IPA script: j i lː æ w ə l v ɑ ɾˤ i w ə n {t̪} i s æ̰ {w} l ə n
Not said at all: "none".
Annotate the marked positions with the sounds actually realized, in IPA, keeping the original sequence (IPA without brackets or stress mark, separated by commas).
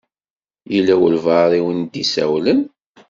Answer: d̪, w